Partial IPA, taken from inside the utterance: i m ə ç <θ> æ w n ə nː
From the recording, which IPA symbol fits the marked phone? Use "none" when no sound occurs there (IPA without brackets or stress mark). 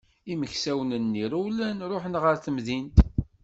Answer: s